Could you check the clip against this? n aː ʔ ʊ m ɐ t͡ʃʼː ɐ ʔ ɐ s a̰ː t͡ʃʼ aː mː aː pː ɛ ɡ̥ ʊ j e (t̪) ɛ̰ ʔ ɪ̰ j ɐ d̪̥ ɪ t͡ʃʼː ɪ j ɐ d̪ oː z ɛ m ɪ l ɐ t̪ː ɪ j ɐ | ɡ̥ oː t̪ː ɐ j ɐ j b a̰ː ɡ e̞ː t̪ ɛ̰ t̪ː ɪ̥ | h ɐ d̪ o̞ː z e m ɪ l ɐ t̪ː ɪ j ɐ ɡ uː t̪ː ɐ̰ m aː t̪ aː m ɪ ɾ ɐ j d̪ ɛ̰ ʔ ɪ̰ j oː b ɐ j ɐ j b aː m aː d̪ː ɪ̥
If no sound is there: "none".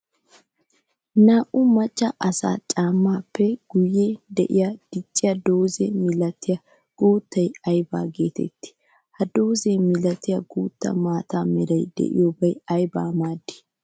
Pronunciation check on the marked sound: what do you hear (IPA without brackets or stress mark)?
d̪